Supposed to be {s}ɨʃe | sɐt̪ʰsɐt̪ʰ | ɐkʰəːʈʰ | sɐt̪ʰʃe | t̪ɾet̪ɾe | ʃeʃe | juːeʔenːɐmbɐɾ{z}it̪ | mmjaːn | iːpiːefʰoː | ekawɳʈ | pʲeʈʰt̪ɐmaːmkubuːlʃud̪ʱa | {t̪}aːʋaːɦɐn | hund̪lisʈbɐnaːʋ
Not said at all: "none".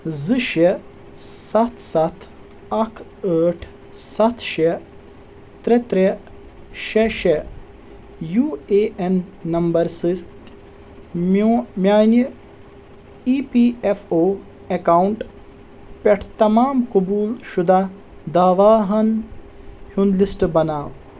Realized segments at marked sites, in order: z, s, d̪

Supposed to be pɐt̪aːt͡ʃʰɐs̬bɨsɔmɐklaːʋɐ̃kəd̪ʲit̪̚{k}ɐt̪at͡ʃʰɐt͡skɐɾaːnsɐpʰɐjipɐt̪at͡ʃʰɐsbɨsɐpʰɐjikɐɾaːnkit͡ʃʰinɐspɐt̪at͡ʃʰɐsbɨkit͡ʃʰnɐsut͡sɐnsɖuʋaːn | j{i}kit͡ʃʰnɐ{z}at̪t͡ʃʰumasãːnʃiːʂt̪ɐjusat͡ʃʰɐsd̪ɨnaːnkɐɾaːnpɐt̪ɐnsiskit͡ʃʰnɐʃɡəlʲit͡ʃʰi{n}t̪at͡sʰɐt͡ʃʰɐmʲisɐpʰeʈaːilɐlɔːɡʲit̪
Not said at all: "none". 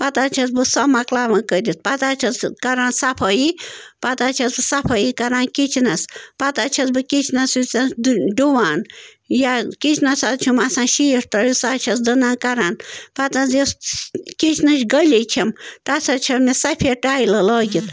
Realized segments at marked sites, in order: p, a, s, m

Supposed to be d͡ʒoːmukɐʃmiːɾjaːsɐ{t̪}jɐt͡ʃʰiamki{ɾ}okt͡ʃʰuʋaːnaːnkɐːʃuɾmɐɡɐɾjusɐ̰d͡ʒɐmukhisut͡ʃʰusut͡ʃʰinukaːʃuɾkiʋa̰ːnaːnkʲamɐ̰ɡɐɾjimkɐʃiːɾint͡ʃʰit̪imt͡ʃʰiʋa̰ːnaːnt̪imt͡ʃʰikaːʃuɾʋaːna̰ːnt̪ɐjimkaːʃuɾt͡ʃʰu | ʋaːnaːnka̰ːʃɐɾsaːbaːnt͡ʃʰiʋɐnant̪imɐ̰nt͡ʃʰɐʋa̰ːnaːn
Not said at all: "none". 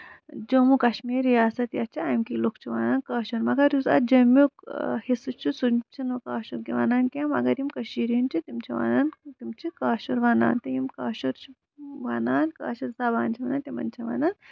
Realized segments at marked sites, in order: t̪, l

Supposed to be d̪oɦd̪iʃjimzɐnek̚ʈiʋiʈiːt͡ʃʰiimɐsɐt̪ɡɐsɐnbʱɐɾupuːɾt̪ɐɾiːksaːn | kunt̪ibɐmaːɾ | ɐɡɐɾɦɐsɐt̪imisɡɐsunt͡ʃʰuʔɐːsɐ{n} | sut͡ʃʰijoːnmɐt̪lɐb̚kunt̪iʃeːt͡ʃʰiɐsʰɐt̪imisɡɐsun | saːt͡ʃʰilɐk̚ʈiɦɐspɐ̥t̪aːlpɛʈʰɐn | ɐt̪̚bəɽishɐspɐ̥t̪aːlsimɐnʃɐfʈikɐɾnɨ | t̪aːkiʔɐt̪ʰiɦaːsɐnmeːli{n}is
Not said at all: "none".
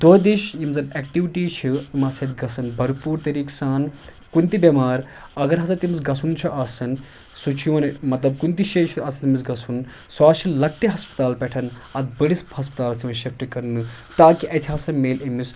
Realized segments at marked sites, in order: n, m

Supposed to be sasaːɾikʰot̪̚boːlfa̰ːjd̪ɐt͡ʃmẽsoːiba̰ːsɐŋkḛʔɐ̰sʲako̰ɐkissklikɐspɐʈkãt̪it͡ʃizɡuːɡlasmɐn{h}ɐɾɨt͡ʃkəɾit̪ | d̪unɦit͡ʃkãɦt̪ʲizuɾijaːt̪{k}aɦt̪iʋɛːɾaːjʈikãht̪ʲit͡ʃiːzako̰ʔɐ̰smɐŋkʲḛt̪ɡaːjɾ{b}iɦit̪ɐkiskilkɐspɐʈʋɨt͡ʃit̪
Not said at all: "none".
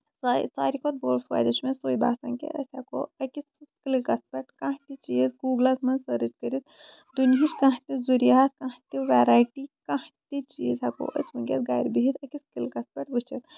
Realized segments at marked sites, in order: s, k, b

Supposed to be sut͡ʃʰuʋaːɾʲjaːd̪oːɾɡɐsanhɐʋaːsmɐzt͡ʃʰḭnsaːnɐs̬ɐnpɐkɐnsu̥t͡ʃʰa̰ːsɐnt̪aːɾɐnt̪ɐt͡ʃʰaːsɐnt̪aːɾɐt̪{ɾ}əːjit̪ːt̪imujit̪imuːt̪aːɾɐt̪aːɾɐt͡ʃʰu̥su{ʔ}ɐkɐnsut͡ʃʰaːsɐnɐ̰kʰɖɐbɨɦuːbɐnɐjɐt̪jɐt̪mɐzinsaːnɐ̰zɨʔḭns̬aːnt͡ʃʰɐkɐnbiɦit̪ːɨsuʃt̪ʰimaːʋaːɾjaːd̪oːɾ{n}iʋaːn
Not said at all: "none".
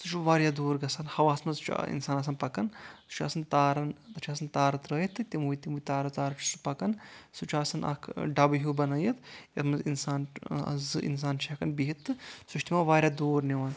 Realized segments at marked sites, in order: ɾ, p, n

